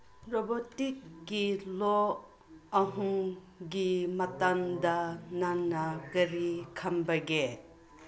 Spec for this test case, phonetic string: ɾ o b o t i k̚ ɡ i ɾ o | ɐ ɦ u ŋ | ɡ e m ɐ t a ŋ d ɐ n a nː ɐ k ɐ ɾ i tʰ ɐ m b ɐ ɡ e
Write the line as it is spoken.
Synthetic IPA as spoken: ɾ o b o t i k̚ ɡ i l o | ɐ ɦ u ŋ | ɡ i m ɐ t a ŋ d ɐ n a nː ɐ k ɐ ɾ i kʰ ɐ m b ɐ ɡ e